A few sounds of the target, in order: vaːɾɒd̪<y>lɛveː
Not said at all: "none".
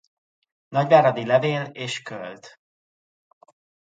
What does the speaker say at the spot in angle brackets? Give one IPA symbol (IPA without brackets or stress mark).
i